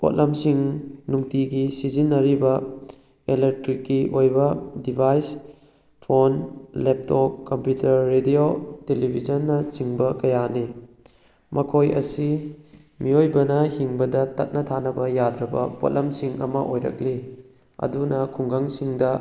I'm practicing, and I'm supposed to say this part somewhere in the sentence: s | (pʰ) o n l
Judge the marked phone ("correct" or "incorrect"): correct